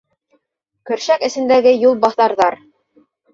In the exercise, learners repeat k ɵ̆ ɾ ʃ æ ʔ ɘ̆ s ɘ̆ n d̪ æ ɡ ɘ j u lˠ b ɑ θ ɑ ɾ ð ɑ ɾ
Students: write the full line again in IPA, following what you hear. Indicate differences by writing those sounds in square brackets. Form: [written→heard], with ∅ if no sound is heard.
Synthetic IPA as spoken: k ɵ̆ ɾ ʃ æ [ʔ→k] ɘ̆ s ɘ̆ n d̪ æ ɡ ɘ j u lˠ b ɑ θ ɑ ɾ ð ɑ ɾ